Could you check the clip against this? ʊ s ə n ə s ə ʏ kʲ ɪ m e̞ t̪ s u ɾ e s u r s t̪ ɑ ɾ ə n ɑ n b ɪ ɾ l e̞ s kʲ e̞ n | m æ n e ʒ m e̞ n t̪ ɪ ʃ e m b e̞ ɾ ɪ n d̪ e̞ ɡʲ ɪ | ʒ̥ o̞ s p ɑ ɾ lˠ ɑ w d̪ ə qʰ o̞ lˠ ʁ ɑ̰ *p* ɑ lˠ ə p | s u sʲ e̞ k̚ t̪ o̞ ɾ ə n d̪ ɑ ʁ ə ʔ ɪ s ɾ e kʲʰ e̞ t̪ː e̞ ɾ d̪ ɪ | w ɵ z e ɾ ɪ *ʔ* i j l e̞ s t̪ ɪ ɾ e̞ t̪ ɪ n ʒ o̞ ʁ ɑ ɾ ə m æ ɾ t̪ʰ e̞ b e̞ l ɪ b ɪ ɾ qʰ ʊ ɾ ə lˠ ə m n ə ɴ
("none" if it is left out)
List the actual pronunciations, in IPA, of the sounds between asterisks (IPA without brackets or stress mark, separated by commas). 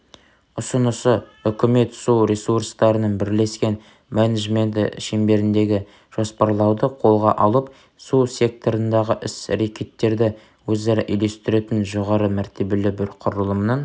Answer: ʔ, ʔ